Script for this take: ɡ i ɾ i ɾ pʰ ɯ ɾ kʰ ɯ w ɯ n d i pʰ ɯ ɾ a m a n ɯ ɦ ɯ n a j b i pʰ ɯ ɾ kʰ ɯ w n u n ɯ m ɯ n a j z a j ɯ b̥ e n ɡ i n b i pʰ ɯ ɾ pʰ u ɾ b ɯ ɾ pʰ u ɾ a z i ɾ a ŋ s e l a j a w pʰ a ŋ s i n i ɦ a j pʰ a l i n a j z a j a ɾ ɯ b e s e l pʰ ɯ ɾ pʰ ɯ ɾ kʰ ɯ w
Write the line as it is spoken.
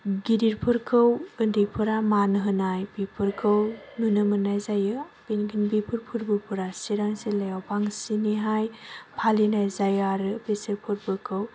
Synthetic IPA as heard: ɡ i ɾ i ɾ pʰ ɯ ɾ kʰ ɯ w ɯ n d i pʰ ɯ ɾ a m a n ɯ ɦ ɯ n a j b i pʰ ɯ ɾ kʰ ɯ w n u n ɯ m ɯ n a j z a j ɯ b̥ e n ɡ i n b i pʰ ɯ ɾ pʰ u ɾ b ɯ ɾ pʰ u ɾ a s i ɾ a ŋ s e l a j a w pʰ a ŋ s i n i ɦ a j pʰ a l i n a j z a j a ɾ ɯ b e s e ɾ pʰ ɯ ɾ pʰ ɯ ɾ kʰ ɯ w